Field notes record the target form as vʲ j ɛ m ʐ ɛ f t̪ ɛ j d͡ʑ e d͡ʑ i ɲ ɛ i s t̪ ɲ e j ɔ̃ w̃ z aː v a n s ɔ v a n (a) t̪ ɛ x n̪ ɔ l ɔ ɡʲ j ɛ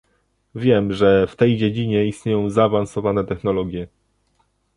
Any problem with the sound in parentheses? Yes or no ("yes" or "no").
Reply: yes